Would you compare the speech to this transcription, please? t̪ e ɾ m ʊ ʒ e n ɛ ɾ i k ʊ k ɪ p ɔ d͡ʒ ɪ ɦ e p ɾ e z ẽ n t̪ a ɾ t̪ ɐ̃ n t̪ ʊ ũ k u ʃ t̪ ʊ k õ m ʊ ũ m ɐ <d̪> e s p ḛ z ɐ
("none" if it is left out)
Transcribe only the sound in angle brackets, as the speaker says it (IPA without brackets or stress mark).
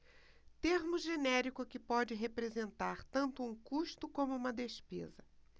d̪